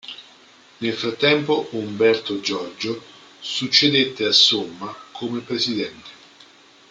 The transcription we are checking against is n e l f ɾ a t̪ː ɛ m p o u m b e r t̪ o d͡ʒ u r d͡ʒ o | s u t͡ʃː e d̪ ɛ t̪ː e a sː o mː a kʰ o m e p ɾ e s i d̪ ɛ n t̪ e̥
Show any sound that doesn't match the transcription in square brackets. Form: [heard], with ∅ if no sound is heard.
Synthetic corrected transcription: n e l f ɾ a t̪ː ɛ m p o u m b [ɛ] r t̪ o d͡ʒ [ɔ] r d͡ʒ o | s u t͡ʃː e d̪ [e] t̪ː e a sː o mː a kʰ o m e p ɾ e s i d̪ ɛ n t̪ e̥